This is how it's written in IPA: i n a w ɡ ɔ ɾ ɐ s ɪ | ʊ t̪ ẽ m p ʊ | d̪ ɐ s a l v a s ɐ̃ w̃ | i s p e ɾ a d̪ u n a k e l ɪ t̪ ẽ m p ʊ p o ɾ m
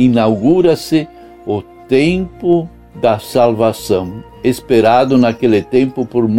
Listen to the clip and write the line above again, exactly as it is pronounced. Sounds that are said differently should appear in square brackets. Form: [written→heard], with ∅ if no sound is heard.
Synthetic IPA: i n a w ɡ [ɔ→u] ɾ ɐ s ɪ | ʊ t̪ ẽ m p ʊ | d̪ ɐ s a l v a s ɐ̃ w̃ | [i→e] s p e ɾ a d̪ [u→ʊ] n a k e l ɪ t̪ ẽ m p ʊ p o ɾ m